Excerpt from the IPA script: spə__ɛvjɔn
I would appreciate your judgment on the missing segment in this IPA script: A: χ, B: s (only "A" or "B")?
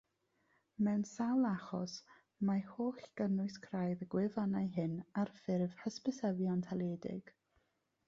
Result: B